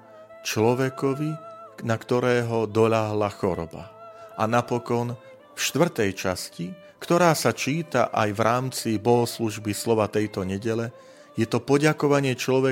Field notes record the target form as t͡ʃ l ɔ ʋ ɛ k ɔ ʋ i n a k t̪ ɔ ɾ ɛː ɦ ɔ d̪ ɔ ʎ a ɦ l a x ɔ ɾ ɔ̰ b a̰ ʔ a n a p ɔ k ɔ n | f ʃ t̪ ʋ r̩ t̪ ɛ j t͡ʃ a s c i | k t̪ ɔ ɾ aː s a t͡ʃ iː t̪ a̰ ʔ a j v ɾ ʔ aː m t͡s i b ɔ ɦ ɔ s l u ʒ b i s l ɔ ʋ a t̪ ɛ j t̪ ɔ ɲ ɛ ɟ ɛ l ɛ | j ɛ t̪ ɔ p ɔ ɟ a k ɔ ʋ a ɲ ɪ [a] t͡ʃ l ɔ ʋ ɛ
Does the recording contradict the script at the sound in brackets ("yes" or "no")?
yes